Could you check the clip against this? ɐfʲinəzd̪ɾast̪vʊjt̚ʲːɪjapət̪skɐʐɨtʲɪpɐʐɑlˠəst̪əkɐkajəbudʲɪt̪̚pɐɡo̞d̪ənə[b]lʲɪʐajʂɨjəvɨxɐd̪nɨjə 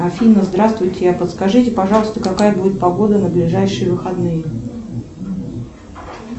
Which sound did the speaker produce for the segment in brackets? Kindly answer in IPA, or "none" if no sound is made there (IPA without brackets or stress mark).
b